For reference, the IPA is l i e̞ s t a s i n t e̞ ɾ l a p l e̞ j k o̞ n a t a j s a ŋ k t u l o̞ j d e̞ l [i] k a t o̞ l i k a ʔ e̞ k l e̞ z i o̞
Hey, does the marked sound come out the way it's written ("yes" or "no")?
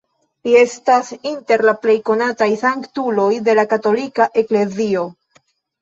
no